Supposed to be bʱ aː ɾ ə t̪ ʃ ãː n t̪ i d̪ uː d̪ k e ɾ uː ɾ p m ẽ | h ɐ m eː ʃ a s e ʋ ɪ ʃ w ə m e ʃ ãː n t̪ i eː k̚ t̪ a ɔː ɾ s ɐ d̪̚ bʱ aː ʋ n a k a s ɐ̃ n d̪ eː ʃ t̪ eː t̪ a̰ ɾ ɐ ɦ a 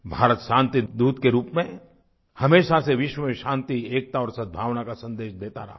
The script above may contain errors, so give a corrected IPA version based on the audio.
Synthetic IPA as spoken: bʱ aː ɾ ə t̪ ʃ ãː n t̪ i d̪ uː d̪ k e ɾ uː p m ẽ | h ɐ m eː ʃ a s e ʋ ɪ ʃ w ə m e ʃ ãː n t̪ i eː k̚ t̪ a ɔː ɾ s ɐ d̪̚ bʱ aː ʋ n a k a s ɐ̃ n d̪ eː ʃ d̪ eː t̪ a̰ ɾ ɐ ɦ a